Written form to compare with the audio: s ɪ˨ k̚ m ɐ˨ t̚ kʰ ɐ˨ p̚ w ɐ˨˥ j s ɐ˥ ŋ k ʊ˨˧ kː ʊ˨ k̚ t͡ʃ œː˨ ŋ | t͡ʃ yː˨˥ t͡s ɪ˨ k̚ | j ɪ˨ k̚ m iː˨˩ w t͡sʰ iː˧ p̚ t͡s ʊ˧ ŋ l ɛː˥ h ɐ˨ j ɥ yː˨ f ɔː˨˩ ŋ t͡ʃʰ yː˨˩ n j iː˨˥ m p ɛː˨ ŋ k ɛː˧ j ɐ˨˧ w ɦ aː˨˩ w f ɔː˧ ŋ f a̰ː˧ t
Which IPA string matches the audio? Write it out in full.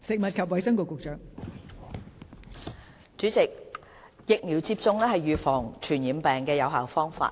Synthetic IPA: s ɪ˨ k̚ m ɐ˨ t̚ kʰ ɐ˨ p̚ w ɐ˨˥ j s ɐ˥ ŋ k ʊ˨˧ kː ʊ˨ k̚ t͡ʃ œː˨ ŋ | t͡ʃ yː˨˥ t͡s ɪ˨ k̚ | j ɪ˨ k̚ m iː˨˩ w t͡s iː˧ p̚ t͡s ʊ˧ ŋ l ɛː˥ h ɐ˨ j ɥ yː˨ f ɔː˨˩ ŋ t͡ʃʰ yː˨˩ n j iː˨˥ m p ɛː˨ ŋ k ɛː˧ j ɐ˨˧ w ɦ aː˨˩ w f ɔː˥ ŋ f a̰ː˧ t

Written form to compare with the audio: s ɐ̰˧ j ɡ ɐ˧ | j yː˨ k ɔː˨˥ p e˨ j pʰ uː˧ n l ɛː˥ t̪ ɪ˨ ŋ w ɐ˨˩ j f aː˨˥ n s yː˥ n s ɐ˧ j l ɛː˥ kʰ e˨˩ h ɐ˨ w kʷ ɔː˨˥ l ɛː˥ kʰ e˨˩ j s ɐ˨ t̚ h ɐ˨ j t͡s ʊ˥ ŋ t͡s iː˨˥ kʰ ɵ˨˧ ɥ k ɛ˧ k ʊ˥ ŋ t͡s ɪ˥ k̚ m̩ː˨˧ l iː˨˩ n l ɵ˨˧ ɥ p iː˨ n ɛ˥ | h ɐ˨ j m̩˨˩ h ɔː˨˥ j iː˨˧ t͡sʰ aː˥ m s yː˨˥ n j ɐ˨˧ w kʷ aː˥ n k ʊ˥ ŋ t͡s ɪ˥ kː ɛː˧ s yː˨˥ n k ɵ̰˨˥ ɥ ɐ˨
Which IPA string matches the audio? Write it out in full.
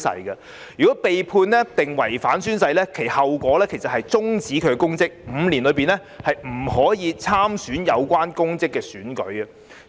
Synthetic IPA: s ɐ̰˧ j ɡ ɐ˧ | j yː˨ k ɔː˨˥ p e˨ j pʰ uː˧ n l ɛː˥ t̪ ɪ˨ ŋ w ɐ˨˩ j f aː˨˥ n s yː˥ n s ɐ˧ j l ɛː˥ kʰ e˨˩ h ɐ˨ w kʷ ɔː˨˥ l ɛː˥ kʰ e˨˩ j s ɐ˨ t̚ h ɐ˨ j t͡s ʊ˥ ŋ t͡s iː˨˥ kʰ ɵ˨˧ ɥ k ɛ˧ k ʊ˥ ŋ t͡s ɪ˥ k̚ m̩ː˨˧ l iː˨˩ n l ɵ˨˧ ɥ p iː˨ n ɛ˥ | h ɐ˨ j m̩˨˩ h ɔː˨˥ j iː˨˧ t͡sʰ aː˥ m s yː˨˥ n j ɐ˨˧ w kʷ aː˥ n k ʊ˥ ŋ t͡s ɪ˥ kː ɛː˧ s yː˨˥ n k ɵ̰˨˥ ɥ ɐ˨

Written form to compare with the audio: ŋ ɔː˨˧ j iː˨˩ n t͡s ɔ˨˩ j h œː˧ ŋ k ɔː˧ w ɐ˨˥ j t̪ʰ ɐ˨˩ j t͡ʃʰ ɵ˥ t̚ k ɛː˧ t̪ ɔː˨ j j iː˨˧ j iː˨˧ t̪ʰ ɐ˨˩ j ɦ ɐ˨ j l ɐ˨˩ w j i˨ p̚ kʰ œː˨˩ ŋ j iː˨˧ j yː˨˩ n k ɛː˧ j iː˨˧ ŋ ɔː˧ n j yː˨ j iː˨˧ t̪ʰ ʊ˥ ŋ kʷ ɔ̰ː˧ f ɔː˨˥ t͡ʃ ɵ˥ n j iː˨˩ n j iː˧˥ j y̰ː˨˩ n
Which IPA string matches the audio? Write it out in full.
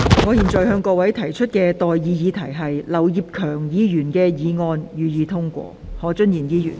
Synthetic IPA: ŋ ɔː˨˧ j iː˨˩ n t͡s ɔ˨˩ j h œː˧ ŋ k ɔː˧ w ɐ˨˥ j t̪ʰ ɐ˨˩ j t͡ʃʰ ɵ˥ t̚ k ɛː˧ t̪ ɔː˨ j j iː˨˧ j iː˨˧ t̪ʰ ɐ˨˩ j ɦ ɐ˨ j l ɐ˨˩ w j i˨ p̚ kʰ œː˨˩ ŋ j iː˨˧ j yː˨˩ n k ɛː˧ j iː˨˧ ŋ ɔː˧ n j yː˨ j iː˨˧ t̪ʰ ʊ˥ ŋ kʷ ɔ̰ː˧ h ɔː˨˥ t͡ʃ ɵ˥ n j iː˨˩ n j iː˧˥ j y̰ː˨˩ n

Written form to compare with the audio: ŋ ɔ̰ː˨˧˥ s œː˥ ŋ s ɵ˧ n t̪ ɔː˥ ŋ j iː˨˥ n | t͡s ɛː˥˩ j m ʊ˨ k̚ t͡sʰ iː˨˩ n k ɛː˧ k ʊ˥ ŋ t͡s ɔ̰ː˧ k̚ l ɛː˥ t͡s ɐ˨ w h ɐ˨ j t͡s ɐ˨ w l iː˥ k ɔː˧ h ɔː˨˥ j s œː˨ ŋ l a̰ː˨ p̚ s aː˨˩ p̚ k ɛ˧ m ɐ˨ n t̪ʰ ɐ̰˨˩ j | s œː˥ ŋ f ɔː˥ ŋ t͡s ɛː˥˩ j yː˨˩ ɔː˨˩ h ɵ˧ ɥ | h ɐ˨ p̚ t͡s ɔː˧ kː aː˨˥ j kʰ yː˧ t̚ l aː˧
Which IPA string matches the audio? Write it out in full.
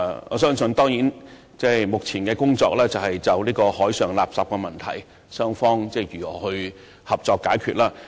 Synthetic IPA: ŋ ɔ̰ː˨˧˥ s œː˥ ŋ s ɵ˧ n t̪ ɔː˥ ŋ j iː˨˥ n | t͡s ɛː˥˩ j m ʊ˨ k̚ t͡sʰ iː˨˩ n k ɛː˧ k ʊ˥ ŋ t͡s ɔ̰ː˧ k̚ l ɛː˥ t͡s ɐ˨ w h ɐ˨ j t͡s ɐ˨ w l iː˥ k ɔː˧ h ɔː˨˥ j s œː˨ ŋ l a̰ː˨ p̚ s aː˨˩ p̚ k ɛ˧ m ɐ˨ n t̪ʰ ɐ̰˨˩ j | s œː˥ ŋ f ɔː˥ ŋ t͡s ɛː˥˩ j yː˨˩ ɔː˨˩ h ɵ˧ ɥ | h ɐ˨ p̚ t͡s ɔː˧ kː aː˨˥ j kʰ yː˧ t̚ l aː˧

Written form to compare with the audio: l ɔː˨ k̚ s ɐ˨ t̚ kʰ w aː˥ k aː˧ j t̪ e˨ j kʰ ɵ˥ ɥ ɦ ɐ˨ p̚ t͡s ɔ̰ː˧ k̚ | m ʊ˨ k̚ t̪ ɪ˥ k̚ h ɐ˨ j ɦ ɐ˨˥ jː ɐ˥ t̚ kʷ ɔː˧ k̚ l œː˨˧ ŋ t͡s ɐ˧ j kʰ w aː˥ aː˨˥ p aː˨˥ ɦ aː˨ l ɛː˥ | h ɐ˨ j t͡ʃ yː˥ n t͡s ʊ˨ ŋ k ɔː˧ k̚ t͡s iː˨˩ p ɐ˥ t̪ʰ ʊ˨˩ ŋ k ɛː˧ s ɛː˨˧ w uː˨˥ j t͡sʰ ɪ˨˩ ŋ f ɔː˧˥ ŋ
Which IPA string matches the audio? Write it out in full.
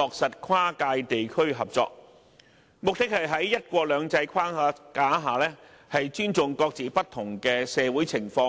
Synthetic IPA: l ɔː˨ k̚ s ɐ˨ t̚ kʰ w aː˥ k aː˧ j t̪ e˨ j kʰ ɵ˥ ɥ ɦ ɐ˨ p̚ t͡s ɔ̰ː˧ k̚ | m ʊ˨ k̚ t̪ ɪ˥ k̚ h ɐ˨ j ɦ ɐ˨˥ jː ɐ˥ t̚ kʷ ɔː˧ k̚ l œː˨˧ ŋ t͡s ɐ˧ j kʰ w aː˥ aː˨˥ k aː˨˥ ɦ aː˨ l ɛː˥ | h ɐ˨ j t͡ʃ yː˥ n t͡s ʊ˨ ŋ k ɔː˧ k̚ t͡s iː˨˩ p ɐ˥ t̪ʰ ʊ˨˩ ŋ k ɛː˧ s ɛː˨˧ w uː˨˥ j t͡sʰ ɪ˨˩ ŋ f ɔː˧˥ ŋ

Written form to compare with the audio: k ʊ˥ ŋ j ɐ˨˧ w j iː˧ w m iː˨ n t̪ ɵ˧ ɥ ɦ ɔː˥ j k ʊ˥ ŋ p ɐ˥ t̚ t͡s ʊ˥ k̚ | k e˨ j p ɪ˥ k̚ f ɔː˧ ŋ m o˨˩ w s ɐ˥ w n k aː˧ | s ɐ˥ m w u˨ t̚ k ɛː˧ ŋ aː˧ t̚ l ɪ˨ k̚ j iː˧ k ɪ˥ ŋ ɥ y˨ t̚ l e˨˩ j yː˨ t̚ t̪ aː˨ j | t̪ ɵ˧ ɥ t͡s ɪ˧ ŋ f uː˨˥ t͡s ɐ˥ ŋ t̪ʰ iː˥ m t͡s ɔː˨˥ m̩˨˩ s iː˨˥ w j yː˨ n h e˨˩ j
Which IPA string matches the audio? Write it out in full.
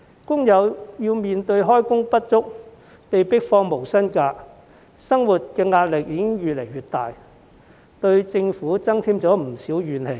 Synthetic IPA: k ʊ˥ ŋ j ɐ˨˧ w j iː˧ w m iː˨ n t̪ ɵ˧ ɥ ɦ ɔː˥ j k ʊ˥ ŋ p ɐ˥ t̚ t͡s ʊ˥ k̚ | p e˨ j p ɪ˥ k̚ f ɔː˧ ŋ m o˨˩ w s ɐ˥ n k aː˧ | s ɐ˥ ŋ w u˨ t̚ k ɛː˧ ŋ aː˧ t̚ l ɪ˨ k̚ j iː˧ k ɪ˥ ŋ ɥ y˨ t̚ l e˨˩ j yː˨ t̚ t̪ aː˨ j | t̪ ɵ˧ ɥ t͡s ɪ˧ ŋ f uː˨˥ t͡s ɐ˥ ŋ t̪ʰ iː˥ m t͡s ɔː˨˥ m̩˨˩ s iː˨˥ w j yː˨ n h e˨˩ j

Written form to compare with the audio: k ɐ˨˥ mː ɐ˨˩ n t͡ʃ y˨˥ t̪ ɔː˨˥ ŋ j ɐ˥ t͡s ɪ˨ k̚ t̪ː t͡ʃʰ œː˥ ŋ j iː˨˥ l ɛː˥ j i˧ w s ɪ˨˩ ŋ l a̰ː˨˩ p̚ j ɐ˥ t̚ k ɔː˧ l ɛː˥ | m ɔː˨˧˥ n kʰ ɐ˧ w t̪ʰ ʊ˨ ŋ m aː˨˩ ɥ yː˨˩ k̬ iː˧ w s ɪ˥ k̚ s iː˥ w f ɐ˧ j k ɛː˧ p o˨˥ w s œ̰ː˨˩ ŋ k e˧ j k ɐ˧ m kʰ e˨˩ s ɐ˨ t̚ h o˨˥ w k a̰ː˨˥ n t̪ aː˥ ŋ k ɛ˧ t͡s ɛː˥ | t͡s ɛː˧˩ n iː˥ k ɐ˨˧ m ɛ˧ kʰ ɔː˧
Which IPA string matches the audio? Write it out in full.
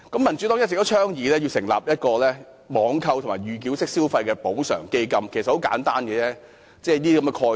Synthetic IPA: k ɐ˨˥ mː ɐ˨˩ n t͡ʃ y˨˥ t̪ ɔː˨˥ ŋ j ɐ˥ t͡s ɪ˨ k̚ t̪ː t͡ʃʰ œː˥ ŋ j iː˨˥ l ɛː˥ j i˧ w s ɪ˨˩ ŋ l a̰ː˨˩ p̚ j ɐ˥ t̚ k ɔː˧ l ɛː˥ | m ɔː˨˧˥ ŋ kʰ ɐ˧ w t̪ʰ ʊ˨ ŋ m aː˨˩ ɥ yː˨˩ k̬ iː˨˥ w s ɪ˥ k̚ s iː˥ w f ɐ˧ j k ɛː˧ p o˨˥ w s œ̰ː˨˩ ŋ k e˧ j k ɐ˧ m kʰ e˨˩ s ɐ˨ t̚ h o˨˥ w k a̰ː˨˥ n t̪ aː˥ n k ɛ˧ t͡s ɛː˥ | t͡s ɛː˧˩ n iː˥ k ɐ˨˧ m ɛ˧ kʰ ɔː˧

